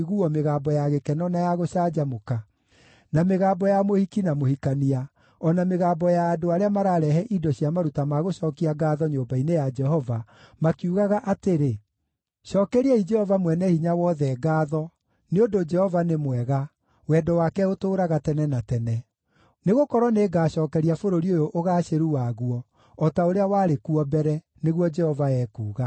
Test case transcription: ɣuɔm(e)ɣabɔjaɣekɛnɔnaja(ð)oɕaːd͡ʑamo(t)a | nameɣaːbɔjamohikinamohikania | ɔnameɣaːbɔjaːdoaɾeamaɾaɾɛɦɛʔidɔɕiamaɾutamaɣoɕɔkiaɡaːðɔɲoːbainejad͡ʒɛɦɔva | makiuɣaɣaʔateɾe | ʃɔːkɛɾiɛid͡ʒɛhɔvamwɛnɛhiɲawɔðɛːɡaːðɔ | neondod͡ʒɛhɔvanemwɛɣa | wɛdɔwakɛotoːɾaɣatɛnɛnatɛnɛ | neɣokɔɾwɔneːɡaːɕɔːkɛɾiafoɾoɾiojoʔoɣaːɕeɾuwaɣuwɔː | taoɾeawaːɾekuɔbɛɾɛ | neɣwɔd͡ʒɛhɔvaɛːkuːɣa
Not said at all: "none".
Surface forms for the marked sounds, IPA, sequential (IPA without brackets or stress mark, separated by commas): e, ɣ, k